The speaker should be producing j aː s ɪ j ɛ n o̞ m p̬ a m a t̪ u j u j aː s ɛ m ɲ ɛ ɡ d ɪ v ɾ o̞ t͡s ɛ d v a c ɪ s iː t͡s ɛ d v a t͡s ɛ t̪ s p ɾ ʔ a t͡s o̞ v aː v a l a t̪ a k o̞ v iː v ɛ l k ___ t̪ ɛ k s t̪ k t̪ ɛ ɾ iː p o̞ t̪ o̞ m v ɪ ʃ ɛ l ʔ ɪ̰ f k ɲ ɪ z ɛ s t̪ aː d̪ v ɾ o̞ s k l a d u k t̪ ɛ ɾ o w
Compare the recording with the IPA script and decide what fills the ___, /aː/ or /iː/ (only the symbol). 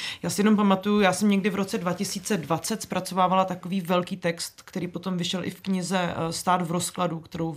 iː